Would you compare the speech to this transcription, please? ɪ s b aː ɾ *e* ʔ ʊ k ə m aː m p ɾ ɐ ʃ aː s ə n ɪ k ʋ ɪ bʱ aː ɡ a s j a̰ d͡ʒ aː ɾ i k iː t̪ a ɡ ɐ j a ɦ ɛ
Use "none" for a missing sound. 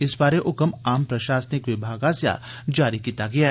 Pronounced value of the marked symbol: e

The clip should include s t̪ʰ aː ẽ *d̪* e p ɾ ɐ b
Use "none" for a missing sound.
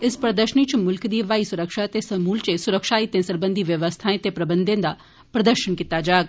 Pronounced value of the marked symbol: t̪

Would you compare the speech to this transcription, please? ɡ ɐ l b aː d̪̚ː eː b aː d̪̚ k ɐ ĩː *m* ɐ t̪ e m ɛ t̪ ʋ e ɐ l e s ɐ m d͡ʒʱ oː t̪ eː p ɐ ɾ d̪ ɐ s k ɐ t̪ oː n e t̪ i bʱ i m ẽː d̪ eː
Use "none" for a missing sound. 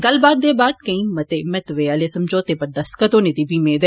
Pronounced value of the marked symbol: m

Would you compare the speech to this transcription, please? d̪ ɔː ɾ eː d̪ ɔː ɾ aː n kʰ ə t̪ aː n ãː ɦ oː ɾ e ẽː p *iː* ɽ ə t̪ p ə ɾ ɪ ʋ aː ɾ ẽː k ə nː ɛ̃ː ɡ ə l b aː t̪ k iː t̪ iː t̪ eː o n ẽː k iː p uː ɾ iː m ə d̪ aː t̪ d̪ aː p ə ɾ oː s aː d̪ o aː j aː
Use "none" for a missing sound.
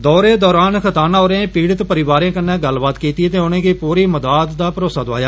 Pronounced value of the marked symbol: iː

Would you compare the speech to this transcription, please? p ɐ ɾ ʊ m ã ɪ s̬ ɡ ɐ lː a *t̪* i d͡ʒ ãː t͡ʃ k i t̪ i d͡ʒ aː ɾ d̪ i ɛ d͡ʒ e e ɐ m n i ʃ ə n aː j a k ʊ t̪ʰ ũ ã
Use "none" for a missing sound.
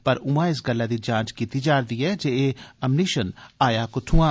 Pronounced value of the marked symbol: d̪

